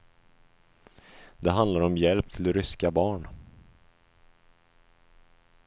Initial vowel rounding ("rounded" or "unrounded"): unrounded